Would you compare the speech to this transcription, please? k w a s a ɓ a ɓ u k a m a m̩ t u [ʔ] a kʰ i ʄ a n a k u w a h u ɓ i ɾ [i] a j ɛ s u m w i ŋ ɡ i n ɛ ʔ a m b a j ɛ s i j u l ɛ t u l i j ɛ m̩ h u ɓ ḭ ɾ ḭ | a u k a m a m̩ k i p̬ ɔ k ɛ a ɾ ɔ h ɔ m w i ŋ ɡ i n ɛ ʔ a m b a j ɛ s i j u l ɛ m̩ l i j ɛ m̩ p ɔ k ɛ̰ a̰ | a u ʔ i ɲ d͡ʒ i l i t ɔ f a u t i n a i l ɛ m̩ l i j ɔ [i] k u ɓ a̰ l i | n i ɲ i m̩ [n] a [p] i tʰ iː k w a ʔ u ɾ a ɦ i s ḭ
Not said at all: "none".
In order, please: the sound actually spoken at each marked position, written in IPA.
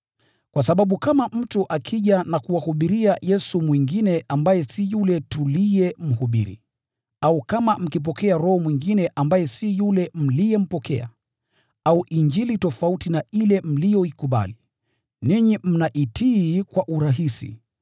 ʔ, i, i, n, ʔ

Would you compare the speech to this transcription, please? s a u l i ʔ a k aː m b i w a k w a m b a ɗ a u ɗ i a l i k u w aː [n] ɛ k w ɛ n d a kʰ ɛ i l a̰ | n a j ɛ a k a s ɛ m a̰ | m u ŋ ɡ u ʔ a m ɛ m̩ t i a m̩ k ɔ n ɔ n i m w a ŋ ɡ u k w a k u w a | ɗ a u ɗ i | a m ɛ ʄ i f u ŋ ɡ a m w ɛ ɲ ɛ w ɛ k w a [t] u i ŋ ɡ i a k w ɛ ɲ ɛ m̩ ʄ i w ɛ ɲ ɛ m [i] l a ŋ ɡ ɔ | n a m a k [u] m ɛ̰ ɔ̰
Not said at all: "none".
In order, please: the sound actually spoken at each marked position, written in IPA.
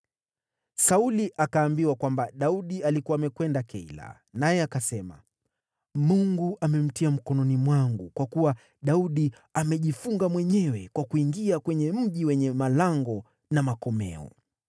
m, k, a, ɔ

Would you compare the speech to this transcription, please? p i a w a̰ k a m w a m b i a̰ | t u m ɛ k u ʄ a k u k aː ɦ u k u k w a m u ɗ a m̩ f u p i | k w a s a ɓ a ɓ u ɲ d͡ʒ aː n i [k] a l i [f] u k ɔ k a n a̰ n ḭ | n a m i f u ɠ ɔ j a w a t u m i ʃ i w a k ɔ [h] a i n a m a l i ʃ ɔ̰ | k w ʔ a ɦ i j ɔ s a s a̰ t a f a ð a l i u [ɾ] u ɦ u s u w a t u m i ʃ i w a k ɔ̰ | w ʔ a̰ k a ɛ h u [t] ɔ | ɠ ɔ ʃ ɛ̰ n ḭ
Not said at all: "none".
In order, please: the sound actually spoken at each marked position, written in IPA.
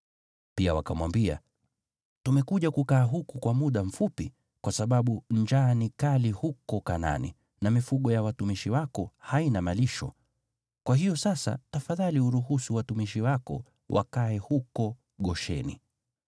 k, h, h, ɾ, k

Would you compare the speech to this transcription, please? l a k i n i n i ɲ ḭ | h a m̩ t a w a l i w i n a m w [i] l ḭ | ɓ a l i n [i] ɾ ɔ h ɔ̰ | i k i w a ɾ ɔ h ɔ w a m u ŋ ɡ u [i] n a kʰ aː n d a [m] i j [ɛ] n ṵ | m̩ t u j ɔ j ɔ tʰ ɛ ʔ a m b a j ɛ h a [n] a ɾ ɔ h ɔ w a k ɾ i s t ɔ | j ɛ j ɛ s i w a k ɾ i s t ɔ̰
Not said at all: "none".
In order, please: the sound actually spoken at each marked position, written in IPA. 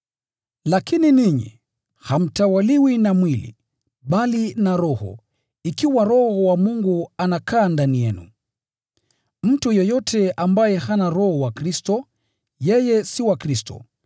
i, a, a, n, ɛ, n

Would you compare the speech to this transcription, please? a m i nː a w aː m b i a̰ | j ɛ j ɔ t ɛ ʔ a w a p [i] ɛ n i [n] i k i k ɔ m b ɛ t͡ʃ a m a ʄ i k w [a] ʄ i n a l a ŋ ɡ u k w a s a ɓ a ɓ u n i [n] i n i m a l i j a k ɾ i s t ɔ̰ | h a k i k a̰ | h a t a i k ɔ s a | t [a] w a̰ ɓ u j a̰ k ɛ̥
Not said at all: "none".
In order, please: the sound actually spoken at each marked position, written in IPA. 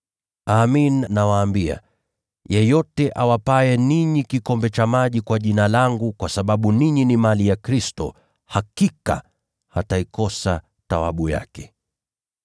a, ɲ, a, ɲ, a

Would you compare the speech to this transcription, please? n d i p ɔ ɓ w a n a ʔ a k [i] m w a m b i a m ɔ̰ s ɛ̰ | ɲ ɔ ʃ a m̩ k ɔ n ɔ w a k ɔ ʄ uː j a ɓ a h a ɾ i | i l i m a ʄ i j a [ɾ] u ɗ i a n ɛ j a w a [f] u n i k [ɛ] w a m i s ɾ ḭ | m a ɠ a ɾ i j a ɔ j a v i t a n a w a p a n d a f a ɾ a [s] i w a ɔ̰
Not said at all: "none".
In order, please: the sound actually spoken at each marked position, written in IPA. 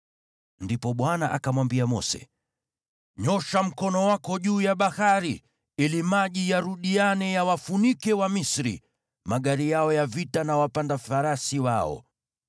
a, ɾ, f, ɛ, s

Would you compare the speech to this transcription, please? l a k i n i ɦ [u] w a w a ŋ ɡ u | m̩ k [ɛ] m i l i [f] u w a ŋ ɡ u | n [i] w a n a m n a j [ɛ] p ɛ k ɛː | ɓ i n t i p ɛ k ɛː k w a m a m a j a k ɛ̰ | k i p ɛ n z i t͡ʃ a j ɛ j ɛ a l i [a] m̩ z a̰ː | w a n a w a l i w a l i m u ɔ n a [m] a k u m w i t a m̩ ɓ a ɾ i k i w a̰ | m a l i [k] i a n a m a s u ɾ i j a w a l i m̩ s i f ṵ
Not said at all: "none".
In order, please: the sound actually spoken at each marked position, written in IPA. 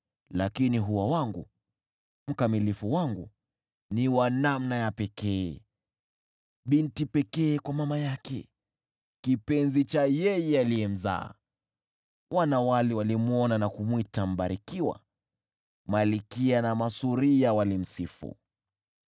u, a, f, i, a, ɛ, n, k

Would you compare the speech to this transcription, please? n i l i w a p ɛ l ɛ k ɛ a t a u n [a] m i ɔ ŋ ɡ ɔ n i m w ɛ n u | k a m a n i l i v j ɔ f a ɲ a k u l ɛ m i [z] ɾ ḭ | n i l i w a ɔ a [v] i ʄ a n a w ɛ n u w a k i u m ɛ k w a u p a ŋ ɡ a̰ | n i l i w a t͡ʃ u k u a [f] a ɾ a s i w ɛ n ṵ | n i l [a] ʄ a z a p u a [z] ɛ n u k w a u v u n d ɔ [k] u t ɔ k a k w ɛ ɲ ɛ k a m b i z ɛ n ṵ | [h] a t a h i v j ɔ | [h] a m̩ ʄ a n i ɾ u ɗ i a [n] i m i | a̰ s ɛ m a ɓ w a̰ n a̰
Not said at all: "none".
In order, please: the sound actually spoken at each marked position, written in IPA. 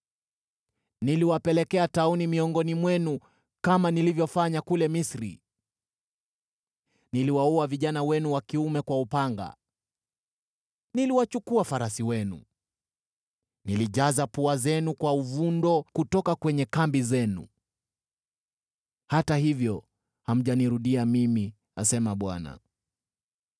i, s, v, f, i, z, k, h, h, m

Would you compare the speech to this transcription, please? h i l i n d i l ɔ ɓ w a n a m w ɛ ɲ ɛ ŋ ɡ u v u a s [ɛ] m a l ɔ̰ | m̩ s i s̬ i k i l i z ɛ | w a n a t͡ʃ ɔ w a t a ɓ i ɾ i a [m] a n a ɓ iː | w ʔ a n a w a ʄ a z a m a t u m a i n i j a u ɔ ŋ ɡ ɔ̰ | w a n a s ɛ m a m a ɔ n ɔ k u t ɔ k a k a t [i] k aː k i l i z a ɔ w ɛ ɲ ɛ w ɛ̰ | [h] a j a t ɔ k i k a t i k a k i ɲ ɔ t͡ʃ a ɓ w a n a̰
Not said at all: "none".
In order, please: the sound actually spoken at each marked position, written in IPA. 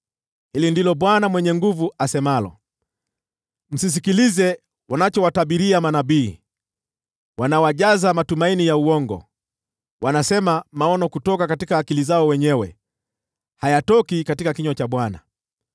ɛ, m, i, h

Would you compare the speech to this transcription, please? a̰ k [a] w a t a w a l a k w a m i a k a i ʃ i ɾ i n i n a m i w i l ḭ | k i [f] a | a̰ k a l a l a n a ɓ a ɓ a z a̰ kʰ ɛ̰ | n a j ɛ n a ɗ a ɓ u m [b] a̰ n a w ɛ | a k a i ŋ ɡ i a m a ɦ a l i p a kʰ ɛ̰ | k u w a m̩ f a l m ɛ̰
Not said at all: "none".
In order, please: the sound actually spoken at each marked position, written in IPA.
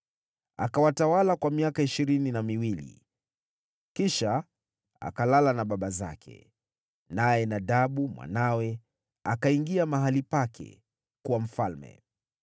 a, ʃ, w

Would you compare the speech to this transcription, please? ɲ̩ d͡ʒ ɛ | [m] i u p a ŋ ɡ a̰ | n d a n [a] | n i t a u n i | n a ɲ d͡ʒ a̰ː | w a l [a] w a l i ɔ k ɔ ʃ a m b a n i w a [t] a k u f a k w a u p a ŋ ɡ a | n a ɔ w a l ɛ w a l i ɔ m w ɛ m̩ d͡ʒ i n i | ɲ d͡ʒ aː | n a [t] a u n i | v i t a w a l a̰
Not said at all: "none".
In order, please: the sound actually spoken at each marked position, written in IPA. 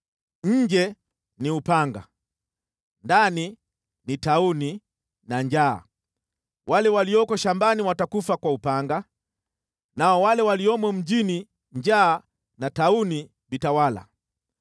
n, i, ɛ, t, t

